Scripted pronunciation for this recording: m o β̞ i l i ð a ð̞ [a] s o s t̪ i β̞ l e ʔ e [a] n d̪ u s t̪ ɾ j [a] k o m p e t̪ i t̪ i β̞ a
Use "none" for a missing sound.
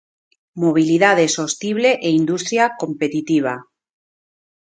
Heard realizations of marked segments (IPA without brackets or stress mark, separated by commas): e, i, a